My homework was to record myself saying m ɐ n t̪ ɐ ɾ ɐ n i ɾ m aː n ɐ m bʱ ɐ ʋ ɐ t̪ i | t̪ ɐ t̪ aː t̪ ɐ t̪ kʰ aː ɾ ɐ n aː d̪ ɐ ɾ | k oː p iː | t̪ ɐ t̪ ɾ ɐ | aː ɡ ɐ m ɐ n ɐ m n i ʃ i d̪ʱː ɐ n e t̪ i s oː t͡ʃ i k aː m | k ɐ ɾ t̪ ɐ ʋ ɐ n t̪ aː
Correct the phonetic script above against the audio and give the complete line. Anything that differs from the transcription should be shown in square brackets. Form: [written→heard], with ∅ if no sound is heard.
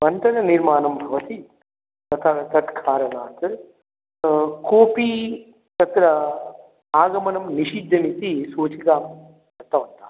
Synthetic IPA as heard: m ɐ n t̪ ɐ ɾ ɐ n i ɾ m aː n ɐ m bʱ ɐ ʋ ɐ t̪ i | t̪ ɐ [t̪→t̪ʰ] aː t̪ ɐ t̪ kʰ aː ɾ ɐ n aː [d̪→t̪] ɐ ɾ | k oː p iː | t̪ ɐ t̪ ɾ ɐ | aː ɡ ɐ m ɐ n ɐ m n i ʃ i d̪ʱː ɐ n [e→i] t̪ i s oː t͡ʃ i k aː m | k ɐ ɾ t̪ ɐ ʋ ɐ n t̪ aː